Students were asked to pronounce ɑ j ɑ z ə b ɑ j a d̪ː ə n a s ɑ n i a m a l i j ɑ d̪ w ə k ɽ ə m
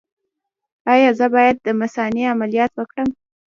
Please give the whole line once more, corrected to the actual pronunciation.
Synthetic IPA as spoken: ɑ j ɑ z ə b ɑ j a d̪ː ə m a s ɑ n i a m a l i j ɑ t̪ w ə k ɽ ə m